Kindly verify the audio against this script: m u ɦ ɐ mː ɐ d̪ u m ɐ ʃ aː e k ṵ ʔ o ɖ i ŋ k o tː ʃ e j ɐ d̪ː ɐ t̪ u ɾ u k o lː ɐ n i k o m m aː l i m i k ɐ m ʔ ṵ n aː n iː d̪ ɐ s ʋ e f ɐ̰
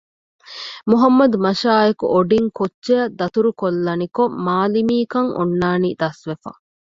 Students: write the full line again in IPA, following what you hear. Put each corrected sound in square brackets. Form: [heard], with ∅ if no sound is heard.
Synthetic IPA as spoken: m u ɦ ɐ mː ɐ d̪ u m ɐ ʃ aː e k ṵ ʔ o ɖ i ŋ k o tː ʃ e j ɐ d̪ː ɐ t̪ u ɾ u k o lː ɐ n i k o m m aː l i m [iː] k ɐ [ŋ] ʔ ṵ [nː] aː n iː d̪ ɐ s ʋ e f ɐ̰